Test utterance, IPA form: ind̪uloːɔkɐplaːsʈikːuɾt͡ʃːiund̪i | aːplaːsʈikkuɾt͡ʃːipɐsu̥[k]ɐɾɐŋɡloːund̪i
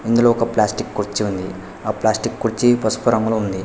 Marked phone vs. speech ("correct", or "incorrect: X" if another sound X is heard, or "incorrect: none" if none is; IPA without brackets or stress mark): incorrect: p